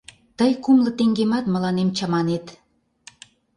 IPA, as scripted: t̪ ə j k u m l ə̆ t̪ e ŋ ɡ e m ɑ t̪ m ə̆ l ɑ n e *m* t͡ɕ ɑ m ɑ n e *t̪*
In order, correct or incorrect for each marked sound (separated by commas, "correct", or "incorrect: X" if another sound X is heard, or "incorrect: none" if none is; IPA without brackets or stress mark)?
correct, correct